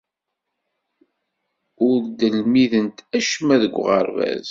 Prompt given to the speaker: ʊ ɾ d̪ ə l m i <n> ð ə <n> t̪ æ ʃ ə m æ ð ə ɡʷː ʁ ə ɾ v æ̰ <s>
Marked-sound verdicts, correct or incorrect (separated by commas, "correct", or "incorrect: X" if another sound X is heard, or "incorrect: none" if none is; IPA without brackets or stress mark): incorrect: none, correct, incorrect: z